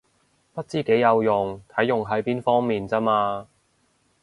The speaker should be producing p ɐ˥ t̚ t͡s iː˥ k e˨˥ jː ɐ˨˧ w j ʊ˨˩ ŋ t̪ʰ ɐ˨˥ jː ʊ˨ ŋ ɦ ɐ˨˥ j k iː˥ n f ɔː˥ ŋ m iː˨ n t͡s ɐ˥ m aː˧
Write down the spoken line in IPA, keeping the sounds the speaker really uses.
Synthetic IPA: p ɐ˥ t̚ t͡s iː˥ k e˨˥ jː ɐ˨˧ w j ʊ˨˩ ŋ t̪ʰ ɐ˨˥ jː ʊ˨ ŋ ɦ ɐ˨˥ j p iː˥ n f ɔː˥ ŋ m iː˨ n t͡s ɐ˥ m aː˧